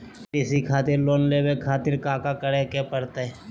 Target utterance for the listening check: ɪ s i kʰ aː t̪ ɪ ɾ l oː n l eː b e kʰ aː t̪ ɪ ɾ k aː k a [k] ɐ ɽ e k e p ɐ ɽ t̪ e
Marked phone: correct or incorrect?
correct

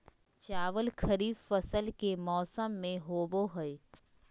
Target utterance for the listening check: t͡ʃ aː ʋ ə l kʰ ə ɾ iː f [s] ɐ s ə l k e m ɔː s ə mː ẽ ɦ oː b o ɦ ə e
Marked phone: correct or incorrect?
incorrect: f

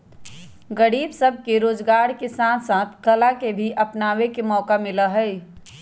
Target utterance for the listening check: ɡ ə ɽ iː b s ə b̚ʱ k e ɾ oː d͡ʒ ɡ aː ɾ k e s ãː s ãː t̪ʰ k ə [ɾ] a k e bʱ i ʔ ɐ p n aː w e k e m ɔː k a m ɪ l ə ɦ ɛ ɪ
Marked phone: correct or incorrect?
incorrect: l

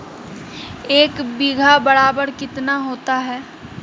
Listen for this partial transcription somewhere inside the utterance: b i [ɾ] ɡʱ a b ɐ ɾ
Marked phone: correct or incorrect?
incorrect: none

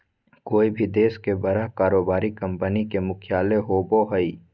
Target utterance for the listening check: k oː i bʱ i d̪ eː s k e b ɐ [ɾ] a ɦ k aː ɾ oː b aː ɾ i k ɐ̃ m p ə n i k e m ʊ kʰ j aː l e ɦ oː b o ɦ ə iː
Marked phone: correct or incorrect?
correct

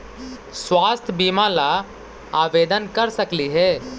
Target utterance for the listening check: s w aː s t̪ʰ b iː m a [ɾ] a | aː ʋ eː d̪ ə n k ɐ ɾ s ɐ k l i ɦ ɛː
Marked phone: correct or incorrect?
incorrect: l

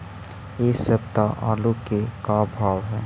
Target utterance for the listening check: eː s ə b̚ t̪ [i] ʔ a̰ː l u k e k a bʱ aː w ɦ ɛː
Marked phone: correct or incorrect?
incorrect: a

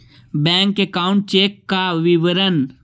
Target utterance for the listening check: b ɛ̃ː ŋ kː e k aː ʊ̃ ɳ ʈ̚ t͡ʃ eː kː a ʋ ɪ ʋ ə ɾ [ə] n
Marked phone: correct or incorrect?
correct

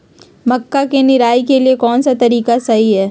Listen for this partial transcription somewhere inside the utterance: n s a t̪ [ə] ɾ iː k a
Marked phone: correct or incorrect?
incorrect: ɐ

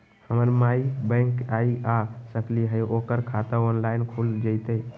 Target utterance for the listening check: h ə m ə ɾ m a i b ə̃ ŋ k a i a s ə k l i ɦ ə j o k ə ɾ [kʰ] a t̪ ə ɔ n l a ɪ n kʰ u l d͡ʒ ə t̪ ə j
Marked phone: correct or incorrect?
correct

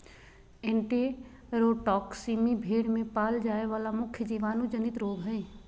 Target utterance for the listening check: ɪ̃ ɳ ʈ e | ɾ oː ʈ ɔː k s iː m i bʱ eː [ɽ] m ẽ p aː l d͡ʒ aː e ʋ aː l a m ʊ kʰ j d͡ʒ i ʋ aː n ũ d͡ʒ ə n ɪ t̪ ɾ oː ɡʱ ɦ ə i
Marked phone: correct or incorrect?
correct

